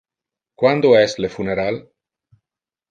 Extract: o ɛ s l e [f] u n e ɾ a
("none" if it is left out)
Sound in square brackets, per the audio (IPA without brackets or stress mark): f